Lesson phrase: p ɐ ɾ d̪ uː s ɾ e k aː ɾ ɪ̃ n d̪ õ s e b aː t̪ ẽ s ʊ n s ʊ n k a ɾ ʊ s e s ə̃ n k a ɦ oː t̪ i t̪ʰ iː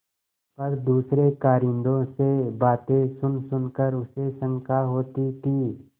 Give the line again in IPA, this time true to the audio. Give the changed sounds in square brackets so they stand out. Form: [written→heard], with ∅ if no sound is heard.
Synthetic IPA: p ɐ ɾ d̪ uː s ɾ e k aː ɾ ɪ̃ n d̪ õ s e b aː t̪ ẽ s ʊ n s ʊ n k [a→ə] ɾ ʊ s e s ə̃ [n→ŋ] k a ɦ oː t̪ i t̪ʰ iː